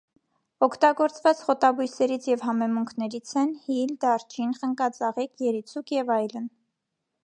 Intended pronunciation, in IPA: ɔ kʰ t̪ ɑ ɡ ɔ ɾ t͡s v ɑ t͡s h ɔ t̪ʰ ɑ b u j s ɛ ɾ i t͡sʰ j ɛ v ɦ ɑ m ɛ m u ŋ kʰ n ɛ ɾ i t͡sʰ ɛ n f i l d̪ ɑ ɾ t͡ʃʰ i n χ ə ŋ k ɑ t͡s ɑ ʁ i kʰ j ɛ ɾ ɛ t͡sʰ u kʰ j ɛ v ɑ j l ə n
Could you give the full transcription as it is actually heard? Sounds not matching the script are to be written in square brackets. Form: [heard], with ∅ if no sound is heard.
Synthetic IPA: ɔ kʰ t̪ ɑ ɡ ɔ ɾ t͡s v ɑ t͡s [χ] ɔ [t̪] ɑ b u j s ɛ ɾ i t͡sʰ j ɛ v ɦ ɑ m ɛ m u ŋ kʰ n ɛ ɾ i t͡sʰ ɛ n [h] i l d̪ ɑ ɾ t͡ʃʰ i n χ ə ŋ k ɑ t͡s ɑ ʁ i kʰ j ɛ ɾ [i] t͡sʰ u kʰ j ɛ v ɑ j l ə n

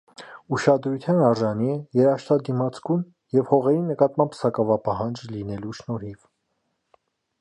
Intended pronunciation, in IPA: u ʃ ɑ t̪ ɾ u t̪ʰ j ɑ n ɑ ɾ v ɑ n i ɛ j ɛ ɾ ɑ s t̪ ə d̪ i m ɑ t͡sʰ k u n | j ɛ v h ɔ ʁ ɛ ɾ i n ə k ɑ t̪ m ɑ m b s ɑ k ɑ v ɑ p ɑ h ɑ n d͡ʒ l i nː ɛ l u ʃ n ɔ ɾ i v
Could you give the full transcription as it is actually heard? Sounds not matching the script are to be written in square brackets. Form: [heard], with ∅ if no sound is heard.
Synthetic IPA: u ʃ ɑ [d̪] ɾ u t̪ʰ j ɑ n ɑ ɾ [ʒ] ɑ n i ɛ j ɛ ɾ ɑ [ʃ] t̪ [ɑ] d̪ i m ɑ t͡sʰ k u n | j ɛ v h ɔ ʁ ɛ ɾ i n ə k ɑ t̪ m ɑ m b s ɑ k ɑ v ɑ p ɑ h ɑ n d͡ʒ l i [n] ɛ l u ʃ n ɔ ɾ i v

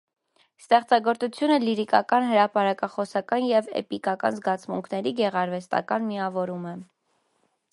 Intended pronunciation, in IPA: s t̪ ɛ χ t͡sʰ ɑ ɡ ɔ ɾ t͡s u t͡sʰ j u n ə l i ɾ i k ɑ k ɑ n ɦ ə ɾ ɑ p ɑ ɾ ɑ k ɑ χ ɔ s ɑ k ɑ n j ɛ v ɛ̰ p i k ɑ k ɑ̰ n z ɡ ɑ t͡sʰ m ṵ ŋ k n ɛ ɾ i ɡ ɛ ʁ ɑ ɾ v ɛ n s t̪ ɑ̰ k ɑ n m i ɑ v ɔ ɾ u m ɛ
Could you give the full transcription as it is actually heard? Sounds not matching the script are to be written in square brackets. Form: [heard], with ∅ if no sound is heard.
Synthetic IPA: s t̪ ɛ χ [t͡s] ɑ ɡ ɔ ɾ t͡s u t͡sʰ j u n ə l i ɾ i k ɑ k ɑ n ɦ ə ɾ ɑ p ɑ ɾ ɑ k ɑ χ ɔ s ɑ k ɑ n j ɛ v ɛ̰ p i k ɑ k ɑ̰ n z ɡ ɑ t͡sʰ m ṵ ŋ [kʰ] n ɛ ɾ i ɡ ɛ ʁ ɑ ɾ v ɛ [∅] s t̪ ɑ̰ k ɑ n m i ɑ v ɔ ɾ u m ɛ

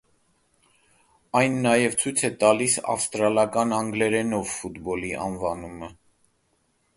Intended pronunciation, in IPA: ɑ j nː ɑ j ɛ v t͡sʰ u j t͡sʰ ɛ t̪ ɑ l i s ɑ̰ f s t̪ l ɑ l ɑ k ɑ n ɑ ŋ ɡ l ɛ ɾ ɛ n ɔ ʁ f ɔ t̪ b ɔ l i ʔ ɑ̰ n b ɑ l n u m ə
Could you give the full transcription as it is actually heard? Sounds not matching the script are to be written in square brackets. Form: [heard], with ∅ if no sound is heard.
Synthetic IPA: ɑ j nː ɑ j ɛ v t͡sʰ u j t͡sʰ ɛ t̪ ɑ l i s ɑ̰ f s t̪ [ɾ] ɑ l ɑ k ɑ n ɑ ŋ ɡ l ɛ ɾ ɛ n ɔ [v] f [u] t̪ b ɔ l i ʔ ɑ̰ n [v] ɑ [∅] n u m ə

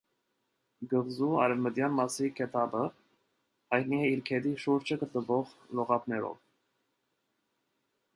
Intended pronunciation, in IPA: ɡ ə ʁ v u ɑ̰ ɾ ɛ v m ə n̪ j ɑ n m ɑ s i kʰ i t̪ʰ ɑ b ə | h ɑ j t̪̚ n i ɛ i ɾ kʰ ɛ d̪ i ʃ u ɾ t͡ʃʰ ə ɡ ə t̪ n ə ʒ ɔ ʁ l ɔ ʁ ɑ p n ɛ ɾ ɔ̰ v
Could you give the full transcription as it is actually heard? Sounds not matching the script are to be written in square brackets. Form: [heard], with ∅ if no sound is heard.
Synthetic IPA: ɡ ə ʁ [z] u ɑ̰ ɾ ɛ v m ə [d̪] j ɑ n m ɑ s i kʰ [ɛ] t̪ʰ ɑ b ə | h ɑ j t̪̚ n i ɛ i ɾ kʰ ɛ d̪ i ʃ u ɾ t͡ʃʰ ə ɡ ə t̪ n ə [v] ɔ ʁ l ɔ ʁ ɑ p n ɛ ɾ ɔ̰ v

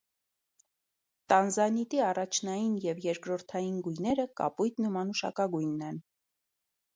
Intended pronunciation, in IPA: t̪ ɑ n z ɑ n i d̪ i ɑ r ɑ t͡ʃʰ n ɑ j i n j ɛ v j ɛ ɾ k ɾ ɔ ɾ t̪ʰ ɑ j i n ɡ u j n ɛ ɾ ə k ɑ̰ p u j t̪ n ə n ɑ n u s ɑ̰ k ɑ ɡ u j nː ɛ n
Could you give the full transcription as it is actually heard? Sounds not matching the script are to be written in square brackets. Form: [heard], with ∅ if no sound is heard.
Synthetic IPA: t̪ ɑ n z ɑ n i [t̪] i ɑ r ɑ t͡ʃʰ n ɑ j i n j ɛ v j ɛ ɾ k ɾ ɔ ɾ t̪ʰ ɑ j i n ɡ u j n ɛ ɾ ə k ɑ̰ p u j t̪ n ə [m] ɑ n u [ʃ] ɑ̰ k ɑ ɡ u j nː ɛ n

